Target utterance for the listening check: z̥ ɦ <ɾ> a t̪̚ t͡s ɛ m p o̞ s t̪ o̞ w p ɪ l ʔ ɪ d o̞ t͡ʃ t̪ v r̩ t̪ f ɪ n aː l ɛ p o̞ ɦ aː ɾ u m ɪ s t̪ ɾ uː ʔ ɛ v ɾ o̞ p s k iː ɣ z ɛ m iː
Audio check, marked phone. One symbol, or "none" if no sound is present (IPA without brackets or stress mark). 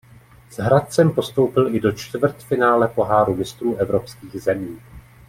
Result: ɾ